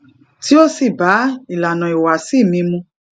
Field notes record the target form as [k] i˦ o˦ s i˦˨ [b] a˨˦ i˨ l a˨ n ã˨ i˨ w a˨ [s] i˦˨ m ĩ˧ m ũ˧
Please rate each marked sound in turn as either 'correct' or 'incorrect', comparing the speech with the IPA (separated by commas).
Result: incorrect, correct, correct